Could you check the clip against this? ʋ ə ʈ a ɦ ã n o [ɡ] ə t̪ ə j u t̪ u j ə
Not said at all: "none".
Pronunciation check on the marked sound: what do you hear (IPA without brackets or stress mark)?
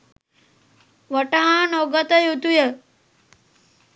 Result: ɡ